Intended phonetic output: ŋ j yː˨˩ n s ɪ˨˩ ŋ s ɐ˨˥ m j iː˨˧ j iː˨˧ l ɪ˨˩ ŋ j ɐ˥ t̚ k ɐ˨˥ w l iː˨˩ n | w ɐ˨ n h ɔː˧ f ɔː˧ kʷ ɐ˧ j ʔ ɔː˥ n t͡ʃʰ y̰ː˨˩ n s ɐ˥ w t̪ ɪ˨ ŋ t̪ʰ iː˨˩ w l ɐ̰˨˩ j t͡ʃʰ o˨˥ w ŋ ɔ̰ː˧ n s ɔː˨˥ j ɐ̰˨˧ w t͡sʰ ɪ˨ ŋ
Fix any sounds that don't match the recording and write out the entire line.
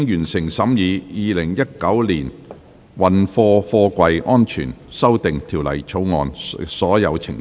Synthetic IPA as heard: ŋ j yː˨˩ n s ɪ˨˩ ŋ s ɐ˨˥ m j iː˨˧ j iː˨˧ l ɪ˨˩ ŋ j ɐ˥ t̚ k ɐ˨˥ w l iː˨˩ n | w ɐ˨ n f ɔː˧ f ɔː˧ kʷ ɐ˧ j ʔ ɔː˥ n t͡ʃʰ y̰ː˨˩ n s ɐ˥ w t̪ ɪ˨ ŋ t̪ʰ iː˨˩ w l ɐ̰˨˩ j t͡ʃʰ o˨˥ w ŋ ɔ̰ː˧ n s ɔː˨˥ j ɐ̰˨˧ w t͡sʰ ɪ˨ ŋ